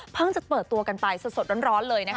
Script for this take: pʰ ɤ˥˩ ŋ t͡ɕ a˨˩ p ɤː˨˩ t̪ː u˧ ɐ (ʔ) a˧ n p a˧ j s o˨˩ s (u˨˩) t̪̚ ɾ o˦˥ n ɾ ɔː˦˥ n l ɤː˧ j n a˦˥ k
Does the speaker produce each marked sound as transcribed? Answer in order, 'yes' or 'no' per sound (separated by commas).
no, no